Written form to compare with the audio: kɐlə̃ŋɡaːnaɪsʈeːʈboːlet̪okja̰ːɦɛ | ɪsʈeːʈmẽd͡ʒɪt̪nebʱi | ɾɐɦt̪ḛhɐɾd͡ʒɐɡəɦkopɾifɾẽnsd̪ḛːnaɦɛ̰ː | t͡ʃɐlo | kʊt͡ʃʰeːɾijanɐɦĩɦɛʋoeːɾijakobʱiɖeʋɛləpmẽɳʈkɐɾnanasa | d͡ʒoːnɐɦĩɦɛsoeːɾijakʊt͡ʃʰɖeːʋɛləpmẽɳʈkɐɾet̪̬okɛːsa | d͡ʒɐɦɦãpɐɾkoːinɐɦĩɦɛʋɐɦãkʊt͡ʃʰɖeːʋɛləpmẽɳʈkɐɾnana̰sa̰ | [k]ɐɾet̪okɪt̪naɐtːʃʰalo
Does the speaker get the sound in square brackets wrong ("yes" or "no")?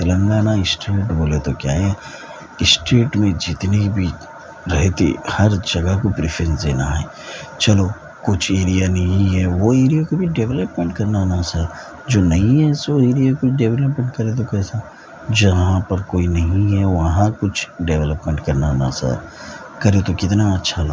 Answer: no